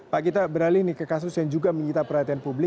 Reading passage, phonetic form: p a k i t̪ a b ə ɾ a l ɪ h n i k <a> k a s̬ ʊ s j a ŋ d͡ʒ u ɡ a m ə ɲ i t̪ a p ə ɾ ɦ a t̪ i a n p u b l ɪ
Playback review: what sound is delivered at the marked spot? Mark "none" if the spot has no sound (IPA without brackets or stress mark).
ə